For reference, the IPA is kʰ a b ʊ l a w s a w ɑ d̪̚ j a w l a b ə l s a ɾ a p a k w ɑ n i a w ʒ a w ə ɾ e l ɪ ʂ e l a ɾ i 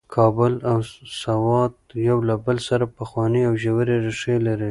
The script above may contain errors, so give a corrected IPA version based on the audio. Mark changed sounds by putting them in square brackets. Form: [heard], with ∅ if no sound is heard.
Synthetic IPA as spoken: kʰ [ɑ] b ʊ l a w s a w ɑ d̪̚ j a w l a b ə l s a ɾ a p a [x] w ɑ n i a w ʒ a w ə ɾ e [ɾ] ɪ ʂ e l a ɾ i